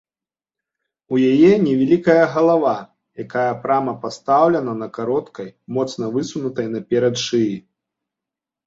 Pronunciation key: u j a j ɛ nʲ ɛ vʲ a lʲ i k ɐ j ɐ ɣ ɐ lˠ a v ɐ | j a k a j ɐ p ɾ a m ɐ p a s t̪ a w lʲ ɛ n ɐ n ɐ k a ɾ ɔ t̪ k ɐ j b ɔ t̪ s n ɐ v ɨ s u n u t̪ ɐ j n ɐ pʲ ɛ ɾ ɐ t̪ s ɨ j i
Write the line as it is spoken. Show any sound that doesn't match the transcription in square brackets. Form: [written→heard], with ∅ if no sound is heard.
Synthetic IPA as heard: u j a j ɛ nʲ ɛ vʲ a lʲ i k ɐ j ɐ ɣ ɐ lˠ a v [ɐ→a] | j a k a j ɐ p ɾ a m ɐ p a s t̪ a w lʲ ɛ n ɐ n ɐ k a ɾ ɔ t̪ k ɐ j [b→m] ɔ t̪ s n ɐ v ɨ s u n u t̪ ɐ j n ɐ pʲ ɛ ɾ ɐ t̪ [s→ʂ] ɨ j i